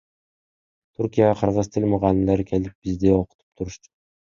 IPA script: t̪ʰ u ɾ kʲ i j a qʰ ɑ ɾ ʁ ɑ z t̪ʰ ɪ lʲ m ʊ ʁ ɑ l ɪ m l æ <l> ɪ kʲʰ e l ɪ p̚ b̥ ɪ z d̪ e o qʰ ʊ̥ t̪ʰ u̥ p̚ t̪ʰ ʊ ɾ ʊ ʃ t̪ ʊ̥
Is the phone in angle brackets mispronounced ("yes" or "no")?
yes